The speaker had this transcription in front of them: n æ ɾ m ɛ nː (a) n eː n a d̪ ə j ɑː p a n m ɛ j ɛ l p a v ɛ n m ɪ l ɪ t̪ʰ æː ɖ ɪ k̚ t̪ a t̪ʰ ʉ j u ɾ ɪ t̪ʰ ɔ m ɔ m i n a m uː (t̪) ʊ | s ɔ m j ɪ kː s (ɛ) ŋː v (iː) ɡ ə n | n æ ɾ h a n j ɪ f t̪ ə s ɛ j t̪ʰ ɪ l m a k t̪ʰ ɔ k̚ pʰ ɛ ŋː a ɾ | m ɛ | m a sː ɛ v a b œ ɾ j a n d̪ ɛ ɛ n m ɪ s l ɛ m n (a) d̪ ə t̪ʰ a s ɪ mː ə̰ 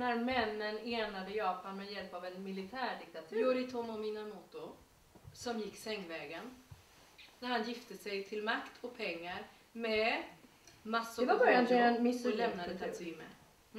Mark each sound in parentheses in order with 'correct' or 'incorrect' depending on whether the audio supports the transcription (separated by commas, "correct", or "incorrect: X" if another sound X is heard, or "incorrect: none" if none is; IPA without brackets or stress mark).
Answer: incorrect: ə, correct, correct, incorrect: ɛː, correct